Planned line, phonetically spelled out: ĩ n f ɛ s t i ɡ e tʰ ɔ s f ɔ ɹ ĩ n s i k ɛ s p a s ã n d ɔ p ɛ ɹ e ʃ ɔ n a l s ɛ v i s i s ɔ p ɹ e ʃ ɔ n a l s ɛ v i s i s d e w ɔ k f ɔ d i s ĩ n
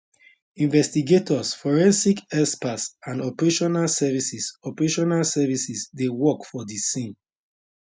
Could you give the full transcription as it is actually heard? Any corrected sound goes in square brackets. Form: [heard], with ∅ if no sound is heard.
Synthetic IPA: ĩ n [v] ɛ s t i ɡ e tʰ ɔ s f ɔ ɹ [ɛ̃] n s i k ɛ s p a s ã n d ɔ p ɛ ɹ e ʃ ɔ n a l s ɛ v i s i s ɔ p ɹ e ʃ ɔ n a l s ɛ v i s i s d e w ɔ k f ɔ d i s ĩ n